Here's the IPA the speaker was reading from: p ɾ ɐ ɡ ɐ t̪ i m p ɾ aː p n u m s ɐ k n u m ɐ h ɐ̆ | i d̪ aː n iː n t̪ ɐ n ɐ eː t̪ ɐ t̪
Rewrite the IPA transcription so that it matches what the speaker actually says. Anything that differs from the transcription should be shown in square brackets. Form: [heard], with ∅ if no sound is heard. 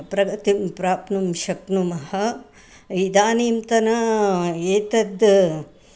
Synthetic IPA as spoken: p ɾ ɐ ɡ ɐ t̪ i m p ɾ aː p n u m [ʃ] ɐ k n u m ɐ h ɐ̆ | i d̪ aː n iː [m] t̪ ɐ n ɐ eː t̪ ɐ [d̪]